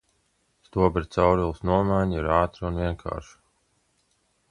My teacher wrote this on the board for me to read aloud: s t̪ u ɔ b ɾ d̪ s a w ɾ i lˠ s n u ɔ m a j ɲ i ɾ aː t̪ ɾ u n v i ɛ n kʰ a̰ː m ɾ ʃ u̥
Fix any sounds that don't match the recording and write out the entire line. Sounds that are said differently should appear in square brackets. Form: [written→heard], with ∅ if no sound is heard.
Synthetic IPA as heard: s t̪ u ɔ b ɾ [d̪→t̪] s a w ɾ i lˠ s n u ɔ m a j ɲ i ɾ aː t̪ ɾ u n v i ɛ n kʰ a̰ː [m→∅] ɾ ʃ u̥